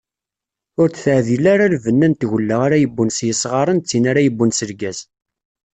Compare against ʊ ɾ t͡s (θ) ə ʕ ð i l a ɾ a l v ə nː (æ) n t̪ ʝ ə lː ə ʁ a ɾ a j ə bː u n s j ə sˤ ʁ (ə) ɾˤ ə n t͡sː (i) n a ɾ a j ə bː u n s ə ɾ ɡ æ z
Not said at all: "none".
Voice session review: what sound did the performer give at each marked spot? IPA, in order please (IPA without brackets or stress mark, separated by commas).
θ, æ, ɑ, i